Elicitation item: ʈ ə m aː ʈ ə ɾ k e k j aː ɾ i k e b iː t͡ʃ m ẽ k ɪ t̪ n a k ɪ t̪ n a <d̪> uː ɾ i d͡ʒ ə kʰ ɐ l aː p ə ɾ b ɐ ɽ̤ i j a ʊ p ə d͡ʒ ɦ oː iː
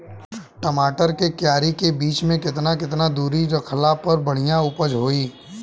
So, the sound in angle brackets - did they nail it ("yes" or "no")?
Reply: yes